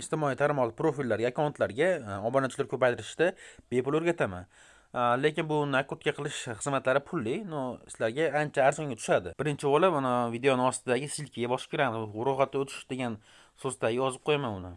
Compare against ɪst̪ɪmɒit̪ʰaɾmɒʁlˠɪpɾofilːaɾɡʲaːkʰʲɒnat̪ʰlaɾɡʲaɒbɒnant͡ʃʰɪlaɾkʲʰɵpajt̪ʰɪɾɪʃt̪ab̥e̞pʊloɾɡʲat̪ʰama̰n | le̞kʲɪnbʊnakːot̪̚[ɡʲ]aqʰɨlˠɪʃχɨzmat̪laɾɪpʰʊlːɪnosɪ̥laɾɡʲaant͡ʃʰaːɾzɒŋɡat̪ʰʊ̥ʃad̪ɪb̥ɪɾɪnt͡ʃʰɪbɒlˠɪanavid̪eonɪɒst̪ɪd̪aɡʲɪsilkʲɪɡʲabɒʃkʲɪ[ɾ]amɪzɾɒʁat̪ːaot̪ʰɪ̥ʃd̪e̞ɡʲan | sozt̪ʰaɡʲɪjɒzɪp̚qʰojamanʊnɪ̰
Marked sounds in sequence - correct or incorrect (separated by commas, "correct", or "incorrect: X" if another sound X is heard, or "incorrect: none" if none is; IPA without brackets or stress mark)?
incorrect: kʲ, correct